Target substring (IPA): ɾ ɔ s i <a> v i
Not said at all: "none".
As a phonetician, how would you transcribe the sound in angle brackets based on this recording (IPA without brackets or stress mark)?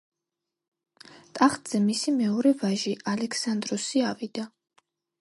a